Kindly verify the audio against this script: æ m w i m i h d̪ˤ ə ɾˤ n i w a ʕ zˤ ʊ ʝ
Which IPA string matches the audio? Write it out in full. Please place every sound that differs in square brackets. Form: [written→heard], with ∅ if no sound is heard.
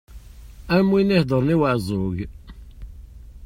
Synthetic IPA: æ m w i [m→n] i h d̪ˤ ə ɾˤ n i w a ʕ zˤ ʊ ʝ